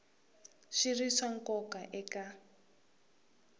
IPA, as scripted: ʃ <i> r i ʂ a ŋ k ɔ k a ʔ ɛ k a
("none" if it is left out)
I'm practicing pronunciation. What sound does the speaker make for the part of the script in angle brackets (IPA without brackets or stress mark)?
i